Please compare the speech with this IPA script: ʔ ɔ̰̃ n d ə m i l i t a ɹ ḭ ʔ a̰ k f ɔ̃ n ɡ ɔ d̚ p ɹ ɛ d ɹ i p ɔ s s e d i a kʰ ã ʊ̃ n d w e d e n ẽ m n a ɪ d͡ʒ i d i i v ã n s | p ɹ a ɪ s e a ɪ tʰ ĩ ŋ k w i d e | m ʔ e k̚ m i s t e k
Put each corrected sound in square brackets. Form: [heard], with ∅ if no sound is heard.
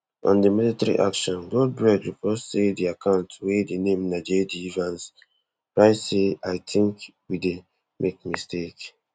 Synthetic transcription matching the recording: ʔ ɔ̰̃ n d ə m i l i t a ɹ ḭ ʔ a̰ k [ʃ] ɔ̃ n ɡ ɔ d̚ [b] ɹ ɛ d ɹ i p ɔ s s e d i a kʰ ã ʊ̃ n [t] w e d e n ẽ m n a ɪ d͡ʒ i d i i v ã n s | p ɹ a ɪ s e a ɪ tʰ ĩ ŋ k w i d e | m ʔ e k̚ m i s t e k